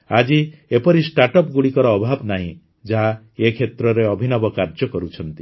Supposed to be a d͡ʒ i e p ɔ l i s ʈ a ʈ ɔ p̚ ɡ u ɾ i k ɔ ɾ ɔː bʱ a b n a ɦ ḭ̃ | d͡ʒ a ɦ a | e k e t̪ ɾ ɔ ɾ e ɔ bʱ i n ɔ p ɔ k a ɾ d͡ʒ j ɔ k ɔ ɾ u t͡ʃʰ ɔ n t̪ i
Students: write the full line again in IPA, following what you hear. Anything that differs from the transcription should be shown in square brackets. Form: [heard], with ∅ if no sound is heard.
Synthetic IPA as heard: a d͡ʒ i e p ɔ [ɾ] i s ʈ a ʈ ɔ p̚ ɡ u [ɽ] i k ɔ ɾ ɔː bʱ a b n a ɦ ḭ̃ | d͡ʒ a ɦ a | e [kʰ] e t̪ ɾ ɔ ɾ e ɔ bʱ i n ɔ [b] ɔ k a ɾ d͡ʒ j ɔ k ɔ ɾ u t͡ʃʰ ɔ n t̪ i